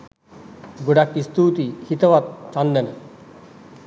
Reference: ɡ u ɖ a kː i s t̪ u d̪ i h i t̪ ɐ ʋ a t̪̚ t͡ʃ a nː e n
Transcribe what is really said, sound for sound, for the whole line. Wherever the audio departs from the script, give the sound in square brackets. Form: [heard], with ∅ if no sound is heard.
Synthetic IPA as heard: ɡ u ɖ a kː i s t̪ u [t̪] i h i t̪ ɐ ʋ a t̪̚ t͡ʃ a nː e n